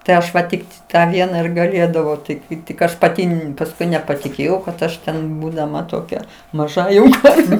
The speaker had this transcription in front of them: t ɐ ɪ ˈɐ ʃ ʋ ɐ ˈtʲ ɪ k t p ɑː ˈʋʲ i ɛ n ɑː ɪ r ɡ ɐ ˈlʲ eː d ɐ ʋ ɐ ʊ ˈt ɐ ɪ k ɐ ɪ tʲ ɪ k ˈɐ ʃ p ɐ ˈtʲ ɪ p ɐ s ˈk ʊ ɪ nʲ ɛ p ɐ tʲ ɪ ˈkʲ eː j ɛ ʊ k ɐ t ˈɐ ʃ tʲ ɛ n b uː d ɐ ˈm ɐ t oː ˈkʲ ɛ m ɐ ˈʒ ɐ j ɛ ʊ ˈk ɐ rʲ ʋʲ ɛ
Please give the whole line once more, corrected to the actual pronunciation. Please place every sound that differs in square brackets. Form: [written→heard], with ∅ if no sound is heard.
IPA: t ɐ ɪ ˈɐ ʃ ʋ ɐ ˈtʲ ɪ k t [p→t] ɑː ˈʋʲ i ɛ n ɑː ɪ r ɡ ɐ ˈlʲ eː d ɐ ʋ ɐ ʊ ˈt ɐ ɪ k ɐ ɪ tʲ ɪ k ˈɐ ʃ p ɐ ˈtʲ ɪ p ɐ s ˈk ʊ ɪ nʲ ɛ p ɐ tʲ ɪ ˈkʲ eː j ɛ ʊ k ɐ t ˈɐ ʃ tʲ ɛ n b uː d ɐ ˈm ɐ t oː ˈkʲ ɛ m ɐ ˈʒ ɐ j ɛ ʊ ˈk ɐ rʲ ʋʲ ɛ